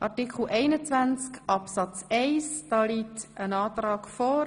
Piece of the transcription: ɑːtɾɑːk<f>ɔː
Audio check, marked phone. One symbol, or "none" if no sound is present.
f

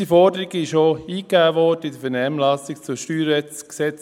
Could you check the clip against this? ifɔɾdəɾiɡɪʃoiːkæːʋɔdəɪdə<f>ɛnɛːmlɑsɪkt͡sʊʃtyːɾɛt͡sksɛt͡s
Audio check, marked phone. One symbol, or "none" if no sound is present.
f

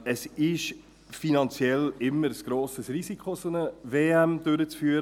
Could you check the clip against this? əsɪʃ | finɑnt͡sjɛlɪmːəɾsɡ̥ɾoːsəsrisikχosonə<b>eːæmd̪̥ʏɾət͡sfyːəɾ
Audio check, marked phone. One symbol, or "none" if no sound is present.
v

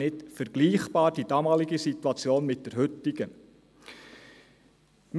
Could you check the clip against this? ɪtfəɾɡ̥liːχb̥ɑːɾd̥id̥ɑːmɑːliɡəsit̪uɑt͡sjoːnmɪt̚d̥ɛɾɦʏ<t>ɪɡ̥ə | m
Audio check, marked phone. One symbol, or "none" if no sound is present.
t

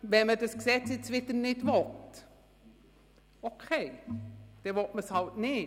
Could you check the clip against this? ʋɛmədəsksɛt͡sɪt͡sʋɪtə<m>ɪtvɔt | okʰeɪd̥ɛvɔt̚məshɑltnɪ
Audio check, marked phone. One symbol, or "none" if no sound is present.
n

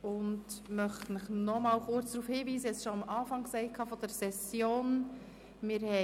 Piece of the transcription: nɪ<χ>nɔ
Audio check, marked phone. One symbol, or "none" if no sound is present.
χ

